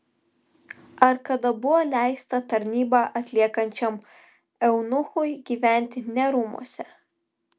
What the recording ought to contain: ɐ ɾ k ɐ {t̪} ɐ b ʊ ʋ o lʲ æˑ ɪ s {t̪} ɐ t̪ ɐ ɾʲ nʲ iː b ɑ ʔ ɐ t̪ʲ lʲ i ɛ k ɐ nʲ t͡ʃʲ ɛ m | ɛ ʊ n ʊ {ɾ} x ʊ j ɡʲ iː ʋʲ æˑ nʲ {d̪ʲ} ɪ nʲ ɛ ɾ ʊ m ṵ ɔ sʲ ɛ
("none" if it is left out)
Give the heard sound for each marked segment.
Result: d̪, t̪, none, t̪ʲ

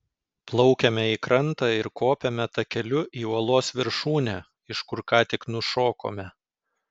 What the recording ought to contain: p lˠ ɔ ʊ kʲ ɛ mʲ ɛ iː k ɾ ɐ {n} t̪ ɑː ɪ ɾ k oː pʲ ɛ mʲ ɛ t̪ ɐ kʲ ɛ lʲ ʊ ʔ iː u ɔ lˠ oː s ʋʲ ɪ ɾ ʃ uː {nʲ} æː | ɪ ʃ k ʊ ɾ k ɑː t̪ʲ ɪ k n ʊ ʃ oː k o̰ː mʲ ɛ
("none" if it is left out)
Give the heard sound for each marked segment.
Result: n, nʲ

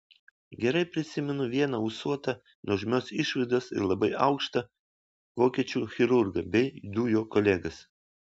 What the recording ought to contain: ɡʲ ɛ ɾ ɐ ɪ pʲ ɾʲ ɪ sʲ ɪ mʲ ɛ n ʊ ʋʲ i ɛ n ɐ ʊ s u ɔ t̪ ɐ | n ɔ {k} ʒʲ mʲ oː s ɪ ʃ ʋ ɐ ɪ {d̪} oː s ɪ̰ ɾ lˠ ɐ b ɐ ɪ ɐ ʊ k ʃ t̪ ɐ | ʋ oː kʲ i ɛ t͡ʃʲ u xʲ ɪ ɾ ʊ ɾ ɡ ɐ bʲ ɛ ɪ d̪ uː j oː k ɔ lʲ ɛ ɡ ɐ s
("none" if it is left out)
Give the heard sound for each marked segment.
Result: none, d̪

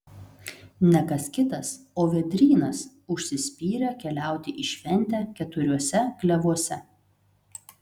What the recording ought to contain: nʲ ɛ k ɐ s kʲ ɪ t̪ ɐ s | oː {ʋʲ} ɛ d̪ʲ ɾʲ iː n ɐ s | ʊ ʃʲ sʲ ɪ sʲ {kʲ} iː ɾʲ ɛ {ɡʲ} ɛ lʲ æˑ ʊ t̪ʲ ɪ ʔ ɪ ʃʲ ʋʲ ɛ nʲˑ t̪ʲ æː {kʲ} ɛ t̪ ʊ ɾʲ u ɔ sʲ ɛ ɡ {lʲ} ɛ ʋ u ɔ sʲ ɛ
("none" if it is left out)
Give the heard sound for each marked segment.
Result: ʋʲ, pʲ, kʲ, kʲ, lʲ

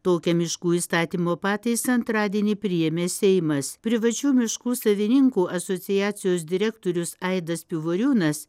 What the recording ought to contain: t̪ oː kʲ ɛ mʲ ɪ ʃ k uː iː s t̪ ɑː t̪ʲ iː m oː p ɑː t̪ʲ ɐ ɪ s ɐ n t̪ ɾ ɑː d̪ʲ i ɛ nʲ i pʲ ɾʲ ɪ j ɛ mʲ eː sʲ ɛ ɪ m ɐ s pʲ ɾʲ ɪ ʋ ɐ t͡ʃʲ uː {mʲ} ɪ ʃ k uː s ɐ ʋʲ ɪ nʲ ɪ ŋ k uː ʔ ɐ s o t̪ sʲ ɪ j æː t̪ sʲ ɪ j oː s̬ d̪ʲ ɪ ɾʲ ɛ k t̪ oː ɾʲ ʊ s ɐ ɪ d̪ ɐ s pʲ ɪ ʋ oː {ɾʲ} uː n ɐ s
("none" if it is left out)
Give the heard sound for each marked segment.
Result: mʲ, ɾʲ

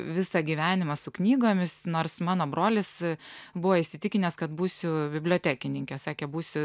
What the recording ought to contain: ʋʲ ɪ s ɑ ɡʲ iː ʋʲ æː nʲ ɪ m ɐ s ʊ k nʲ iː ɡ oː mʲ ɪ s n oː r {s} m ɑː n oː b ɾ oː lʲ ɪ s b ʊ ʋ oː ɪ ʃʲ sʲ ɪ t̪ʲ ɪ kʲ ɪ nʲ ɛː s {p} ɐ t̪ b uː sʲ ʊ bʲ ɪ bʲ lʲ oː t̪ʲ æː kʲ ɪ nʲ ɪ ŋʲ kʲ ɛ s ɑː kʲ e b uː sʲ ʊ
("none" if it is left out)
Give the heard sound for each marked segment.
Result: s, k

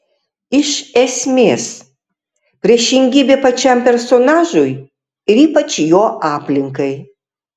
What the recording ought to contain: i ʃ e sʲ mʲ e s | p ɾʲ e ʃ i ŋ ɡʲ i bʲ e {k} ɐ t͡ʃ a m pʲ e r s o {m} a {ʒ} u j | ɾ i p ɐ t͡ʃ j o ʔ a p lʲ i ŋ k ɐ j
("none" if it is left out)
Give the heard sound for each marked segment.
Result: p, n, ʒ

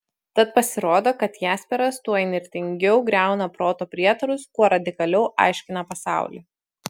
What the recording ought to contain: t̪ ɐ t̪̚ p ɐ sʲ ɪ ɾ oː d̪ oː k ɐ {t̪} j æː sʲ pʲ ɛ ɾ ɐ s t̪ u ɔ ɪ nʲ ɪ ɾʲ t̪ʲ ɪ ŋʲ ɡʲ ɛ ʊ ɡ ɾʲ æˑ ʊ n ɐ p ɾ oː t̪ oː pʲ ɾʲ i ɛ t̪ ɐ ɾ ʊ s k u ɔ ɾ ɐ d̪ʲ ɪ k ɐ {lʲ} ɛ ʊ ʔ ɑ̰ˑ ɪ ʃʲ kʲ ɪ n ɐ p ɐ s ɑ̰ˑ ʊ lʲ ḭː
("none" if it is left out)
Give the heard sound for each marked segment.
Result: t̪, lʲ

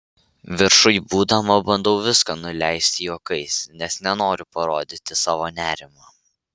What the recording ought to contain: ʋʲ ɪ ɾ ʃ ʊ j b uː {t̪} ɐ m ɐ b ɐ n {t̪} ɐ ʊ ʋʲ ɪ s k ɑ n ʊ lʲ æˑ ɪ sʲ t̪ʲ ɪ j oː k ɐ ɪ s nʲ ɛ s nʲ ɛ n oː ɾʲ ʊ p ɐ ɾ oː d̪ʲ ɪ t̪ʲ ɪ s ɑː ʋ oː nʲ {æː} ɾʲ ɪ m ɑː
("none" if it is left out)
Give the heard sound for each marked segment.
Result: d̪, d̪, æː

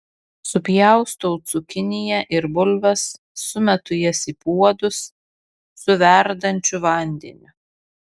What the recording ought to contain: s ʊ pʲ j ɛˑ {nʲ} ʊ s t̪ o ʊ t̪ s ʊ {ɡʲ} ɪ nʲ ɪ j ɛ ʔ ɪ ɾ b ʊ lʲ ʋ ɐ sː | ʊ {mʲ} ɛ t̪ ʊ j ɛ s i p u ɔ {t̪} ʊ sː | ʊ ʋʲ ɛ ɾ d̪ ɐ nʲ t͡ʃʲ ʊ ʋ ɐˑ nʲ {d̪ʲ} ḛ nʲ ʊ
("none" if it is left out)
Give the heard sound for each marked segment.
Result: none, kʲ, mʲ, d̪, d̪ʲ

